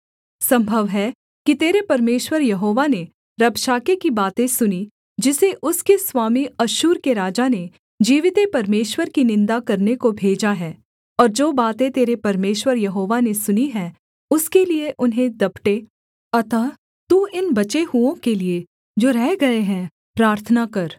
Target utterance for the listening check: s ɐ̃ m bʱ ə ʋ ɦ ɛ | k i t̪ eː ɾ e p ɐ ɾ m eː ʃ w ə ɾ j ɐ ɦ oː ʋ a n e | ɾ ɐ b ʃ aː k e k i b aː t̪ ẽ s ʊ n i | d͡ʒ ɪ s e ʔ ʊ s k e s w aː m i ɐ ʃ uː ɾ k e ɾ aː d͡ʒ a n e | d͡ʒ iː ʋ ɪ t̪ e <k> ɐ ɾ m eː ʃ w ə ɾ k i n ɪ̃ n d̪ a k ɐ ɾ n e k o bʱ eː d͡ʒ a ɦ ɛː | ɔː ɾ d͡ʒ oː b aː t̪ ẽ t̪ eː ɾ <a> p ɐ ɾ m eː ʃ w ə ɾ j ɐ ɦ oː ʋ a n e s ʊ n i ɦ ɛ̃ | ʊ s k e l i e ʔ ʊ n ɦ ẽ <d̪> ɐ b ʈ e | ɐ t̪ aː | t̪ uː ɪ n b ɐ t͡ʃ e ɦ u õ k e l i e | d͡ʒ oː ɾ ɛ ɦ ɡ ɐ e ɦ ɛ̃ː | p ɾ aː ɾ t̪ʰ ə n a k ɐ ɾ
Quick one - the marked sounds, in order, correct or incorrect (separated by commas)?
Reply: incorrect, incorrect, correct